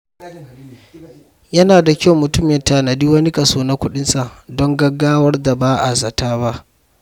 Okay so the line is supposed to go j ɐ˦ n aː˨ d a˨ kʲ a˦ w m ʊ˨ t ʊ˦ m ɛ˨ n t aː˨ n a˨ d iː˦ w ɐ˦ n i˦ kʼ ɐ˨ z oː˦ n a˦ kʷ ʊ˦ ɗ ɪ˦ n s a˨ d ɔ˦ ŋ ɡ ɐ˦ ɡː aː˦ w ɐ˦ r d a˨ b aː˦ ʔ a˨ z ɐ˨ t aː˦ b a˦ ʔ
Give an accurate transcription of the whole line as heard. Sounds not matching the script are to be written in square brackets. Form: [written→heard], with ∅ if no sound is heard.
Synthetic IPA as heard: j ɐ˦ n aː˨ d a˨ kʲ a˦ w m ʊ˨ t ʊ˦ m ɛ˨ n t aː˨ n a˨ d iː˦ w ɐ˦ n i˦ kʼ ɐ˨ [z→s] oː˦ n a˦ kʷ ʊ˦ ɗ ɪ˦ n s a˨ d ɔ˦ ŋ ɡ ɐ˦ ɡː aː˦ w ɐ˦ r d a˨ b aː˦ ʔ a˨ z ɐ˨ t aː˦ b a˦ ʔ